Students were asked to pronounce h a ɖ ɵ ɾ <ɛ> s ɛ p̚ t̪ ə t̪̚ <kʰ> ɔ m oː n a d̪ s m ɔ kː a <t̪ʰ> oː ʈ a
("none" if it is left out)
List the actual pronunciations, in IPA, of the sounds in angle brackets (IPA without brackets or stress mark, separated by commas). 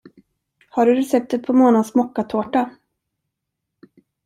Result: ɛ, pʰ, t̪ʰ